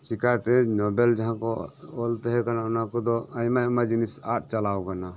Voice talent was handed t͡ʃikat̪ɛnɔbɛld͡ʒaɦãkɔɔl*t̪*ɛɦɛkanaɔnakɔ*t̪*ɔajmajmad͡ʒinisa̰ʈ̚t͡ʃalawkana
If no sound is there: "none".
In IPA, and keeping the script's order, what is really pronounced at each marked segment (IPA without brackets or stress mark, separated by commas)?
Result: t̪, d̪